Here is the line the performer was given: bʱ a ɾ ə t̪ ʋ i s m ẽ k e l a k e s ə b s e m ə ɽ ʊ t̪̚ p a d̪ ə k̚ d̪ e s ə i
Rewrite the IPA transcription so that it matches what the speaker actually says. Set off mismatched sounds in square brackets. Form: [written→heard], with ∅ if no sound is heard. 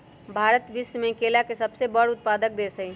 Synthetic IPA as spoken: bʱ a ɾ ə t̪ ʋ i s m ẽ k e l a k e s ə b s e [m→b] ə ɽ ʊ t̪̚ p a d̪ ə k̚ d̪ e s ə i